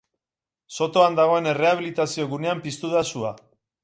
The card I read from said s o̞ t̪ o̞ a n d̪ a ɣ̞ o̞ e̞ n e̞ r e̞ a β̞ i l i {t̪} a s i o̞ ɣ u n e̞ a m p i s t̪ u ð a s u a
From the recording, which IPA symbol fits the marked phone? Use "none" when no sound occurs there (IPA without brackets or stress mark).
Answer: t̪